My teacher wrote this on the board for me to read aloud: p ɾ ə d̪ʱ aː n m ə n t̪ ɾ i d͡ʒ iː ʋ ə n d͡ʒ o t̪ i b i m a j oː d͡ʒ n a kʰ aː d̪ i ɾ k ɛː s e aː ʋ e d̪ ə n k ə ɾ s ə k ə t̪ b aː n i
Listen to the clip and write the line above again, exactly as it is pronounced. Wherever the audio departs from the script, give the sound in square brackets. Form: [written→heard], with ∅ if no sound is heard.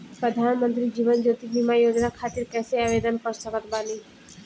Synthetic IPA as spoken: p ɾ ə d̪ʱ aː n m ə n t̪ ɾ i d͡ʒ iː ʋ ə n d͡ʒ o t̪ i b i m a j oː d͡ʒ n a kʰ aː [d̪→t̪] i ɾ k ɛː s e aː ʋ e d̪ ə n k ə ɾ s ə k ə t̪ b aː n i